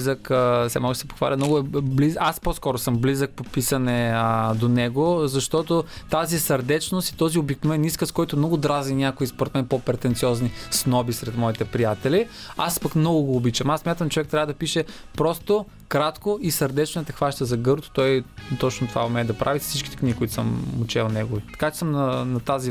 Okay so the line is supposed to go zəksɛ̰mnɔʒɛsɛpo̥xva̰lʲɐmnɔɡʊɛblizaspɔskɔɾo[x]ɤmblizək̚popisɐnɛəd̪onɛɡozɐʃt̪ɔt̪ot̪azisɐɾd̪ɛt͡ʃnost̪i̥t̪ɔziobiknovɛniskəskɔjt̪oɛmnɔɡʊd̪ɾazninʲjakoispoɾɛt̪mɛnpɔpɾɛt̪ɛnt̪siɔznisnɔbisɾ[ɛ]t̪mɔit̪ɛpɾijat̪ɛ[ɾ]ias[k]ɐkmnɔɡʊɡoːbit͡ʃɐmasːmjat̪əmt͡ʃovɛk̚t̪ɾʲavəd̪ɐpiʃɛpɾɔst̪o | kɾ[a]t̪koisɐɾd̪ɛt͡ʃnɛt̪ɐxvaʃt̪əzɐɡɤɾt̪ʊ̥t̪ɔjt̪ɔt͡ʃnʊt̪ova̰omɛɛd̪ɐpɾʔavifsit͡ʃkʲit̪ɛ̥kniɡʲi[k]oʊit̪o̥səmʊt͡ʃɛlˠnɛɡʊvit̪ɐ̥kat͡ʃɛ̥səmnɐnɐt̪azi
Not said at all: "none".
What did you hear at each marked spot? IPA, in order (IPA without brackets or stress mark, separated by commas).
s, ɛ, l, p, a, k